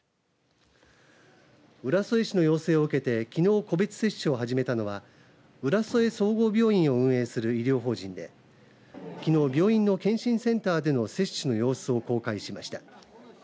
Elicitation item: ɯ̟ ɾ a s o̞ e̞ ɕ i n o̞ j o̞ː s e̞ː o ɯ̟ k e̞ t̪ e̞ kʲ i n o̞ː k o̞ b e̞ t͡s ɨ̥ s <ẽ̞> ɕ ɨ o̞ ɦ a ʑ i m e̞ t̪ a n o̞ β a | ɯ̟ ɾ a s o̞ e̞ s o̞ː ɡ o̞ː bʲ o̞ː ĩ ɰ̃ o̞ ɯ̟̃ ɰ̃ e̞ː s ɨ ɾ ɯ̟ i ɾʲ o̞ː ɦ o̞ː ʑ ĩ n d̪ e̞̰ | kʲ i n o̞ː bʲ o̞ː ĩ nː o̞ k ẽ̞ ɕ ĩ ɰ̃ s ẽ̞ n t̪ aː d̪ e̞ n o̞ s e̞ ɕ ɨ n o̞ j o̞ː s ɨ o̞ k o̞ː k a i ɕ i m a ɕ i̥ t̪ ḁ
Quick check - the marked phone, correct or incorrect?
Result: incorrect